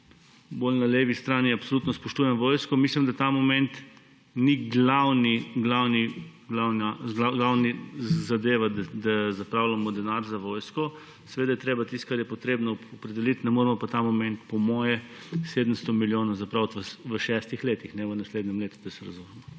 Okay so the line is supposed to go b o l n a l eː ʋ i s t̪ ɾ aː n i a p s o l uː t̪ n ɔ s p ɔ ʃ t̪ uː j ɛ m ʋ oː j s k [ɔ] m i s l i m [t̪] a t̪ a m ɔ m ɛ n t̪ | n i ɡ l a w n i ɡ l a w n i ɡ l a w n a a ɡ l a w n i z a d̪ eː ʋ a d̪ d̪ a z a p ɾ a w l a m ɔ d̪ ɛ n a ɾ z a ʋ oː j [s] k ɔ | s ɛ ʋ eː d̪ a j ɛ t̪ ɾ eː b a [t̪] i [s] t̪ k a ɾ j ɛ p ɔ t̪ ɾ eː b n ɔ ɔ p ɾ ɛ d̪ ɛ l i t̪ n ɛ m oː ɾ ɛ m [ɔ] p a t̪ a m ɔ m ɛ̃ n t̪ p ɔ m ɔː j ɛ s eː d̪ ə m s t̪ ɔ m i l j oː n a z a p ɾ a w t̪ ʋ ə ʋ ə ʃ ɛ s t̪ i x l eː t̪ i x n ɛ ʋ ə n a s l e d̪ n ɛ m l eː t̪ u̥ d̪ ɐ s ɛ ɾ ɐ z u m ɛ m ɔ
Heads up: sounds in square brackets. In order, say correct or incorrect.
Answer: correct, incorrect: d̪, correct, correct, correct, correct

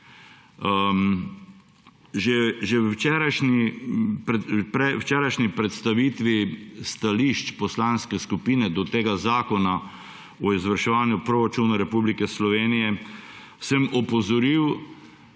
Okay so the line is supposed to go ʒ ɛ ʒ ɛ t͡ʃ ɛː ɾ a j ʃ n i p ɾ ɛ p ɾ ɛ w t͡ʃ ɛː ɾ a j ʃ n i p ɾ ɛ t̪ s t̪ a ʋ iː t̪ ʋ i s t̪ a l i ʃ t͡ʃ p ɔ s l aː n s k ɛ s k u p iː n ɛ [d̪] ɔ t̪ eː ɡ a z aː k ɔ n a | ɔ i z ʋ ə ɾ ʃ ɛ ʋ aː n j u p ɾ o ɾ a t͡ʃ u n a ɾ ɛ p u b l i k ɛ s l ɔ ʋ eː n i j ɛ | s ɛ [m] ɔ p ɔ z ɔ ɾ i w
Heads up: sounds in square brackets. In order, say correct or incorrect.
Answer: correct, correct

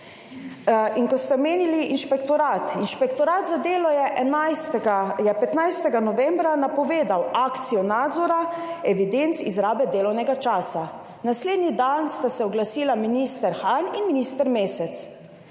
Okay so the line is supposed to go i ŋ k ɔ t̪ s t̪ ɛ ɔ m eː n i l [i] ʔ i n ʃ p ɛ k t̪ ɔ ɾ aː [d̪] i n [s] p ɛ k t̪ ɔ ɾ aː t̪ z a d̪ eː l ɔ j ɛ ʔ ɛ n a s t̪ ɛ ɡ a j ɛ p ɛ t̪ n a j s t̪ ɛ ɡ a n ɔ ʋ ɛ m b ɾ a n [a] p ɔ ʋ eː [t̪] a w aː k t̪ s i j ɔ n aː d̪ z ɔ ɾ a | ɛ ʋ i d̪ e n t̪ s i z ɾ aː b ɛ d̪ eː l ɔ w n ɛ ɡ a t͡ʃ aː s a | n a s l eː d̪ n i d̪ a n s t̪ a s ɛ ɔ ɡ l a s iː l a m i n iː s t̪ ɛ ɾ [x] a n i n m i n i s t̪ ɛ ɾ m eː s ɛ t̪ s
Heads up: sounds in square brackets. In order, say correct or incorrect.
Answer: correct, incorrect: t̪, incorrect: ʃ, correct, incorrect: d̪, correct

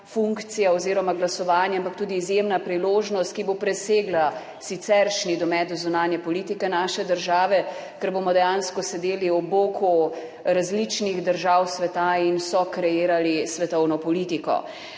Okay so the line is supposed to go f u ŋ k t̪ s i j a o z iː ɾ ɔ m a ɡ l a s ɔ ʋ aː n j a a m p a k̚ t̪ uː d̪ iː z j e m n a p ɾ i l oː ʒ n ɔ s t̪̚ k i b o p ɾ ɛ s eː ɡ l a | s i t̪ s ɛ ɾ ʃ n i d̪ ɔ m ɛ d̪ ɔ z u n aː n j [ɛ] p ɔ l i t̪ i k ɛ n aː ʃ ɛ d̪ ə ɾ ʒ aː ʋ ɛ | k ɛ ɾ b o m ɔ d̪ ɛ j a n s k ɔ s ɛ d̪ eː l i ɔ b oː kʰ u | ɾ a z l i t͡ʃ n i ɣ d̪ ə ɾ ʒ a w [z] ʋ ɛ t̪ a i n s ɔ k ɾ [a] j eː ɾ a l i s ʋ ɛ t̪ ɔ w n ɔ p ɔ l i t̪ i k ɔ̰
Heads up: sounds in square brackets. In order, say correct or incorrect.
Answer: correct, incorrect: s, incorrect: ɛ

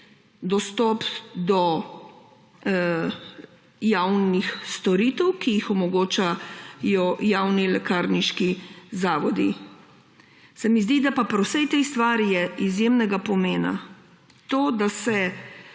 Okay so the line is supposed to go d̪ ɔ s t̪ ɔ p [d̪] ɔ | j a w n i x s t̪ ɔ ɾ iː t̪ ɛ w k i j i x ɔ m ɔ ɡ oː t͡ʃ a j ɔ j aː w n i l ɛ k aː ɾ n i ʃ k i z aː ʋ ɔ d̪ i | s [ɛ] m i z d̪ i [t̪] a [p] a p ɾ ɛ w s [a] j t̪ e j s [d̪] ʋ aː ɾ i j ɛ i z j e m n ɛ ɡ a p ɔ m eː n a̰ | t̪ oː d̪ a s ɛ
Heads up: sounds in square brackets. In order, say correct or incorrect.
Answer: correct, correct, incorrect: d̪, correct, incorrect: ɛ, incorrect: t̪

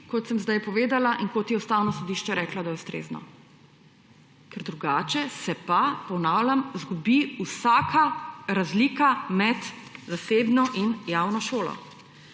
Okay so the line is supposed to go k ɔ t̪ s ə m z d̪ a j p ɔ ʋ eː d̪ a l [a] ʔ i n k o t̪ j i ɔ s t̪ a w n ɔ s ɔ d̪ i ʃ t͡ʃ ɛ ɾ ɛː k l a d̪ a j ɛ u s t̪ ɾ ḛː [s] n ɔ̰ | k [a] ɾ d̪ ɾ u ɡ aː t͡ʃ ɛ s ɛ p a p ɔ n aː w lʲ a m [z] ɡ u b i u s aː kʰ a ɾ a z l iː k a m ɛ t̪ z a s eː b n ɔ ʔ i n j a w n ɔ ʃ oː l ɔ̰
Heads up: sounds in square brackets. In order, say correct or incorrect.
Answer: correct, incorrect: z, incorrect: ɛ, correct

